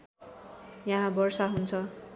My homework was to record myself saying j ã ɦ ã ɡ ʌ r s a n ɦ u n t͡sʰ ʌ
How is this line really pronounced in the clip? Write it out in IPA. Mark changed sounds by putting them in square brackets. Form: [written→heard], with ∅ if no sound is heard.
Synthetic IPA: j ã ɦ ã [ɡ→b] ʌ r s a [n→∅] ɦ u n t͡sʰ ʌ